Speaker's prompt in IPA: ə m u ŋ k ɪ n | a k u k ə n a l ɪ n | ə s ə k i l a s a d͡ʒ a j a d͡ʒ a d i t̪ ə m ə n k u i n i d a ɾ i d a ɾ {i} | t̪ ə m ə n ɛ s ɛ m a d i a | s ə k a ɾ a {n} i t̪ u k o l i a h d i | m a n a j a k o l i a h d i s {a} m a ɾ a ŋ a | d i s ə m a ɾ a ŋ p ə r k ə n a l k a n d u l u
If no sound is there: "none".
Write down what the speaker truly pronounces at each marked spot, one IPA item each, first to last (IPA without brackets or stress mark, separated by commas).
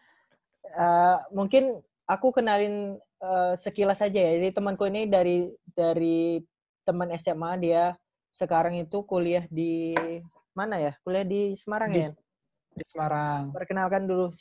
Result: i, ŋ, ə